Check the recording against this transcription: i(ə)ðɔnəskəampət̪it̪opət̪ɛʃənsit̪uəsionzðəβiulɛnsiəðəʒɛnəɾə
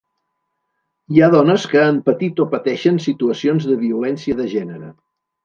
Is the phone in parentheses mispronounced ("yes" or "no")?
yes